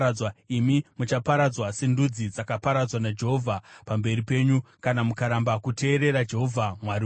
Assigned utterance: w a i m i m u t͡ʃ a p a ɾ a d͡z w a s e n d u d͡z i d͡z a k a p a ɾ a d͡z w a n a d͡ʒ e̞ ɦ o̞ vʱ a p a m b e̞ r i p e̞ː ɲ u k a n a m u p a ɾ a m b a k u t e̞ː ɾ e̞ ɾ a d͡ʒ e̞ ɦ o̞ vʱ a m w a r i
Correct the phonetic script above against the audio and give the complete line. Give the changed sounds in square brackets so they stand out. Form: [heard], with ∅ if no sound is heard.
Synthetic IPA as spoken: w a i m i m u t͡ʃ a p a ɾ a d͡z w a s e n d u d͡z i d͡z a k a p a ɾ a d͡z w a n a d͡ʒ e̞ ɦ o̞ vʱ a p a m b e̞ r i p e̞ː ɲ u k a n a m u [k] a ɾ a m b a k u t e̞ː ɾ e̞ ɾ a d͡ʒ e̞ ɦ o̞ vʱ a m w a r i